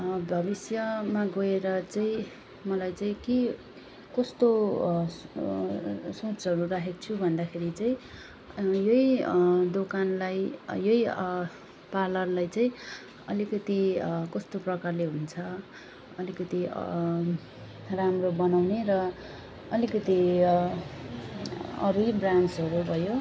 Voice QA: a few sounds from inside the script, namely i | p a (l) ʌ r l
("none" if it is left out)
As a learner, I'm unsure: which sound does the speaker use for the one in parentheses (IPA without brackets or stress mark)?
l